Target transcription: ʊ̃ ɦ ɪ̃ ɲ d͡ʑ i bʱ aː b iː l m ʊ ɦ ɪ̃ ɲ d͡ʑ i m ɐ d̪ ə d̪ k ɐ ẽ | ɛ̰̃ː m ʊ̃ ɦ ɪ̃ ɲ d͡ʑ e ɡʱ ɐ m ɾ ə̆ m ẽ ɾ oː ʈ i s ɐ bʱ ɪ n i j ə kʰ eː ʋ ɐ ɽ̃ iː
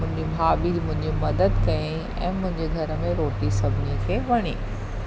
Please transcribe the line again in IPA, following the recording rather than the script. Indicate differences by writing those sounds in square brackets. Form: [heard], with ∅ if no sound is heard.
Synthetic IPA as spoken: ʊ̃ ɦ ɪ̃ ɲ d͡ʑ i bʱ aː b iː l m [ʊ̃] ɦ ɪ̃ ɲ d͡ʑ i m ɐ d̪ ə d̪ k ɐ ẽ | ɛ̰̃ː m ʊ̃ ɦ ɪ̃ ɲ d͡ʑ e ɡʱ ɐ [∅] ɾ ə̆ m ẽ ɾ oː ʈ i s ɐ bʱ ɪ n i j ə kʰ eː ʋ ɐ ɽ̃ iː